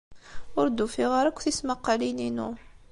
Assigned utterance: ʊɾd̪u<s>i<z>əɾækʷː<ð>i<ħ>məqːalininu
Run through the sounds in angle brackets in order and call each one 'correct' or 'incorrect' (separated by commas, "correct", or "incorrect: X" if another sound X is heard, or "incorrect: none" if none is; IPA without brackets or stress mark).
incorrect: f, incorrect: ʁ, incorrect: θ, incorrect: s